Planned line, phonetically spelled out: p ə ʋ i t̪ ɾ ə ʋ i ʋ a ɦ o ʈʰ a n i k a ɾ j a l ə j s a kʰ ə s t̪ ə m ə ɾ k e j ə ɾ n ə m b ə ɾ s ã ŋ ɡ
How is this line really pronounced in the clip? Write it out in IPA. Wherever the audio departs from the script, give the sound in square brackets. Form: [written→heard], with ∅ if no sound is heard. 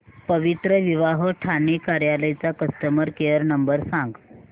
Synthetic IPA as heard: p ə ʋ i t̪ ɾ ə ʋ i ʋ a ɦ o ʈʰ a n i k a ɾ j a l ə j [s→t͡s] a [kʰ→k] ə s t̪ ə m ə ɾ k e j ə ɾ n ə m b ə ɾ s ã ŋ ɡ